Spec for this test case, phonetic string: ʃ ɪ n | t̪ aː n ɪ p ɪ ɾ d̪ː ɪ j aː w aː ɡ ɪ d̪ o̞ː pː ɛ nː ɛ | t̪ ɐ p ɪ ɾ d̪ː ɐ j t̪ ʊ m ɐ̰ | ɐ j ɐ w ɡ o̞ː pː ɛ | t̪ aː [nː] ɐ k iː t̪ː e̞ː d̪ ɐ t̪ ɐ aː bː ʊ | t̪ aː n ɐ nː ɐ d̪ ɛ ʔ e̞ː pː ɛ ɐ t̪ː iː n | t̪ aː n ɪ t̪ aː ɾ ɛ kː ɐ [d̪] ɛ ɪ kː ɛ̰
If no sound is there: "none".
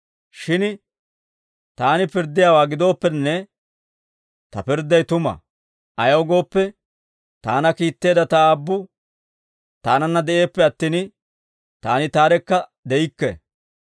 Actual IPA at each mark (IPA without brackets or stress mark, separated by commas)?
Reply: n, d̪